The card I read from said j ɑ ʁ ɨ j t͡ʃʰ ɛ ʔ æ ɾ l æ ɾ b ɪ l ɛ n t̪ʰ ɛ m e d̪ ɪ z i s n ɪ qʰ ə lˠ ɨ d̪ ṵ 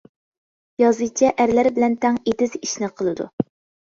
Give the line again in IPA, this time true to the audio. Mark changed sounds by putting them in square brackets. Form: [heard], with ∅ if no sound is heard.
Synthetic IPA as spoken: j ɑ [z] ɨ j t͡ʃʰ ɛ ʔ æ ɾ l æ ɾ b ɪ l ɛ n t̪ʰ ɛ [ŋ] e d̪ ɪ z i [ʃ] n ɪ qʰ ə lˠ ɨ d̪ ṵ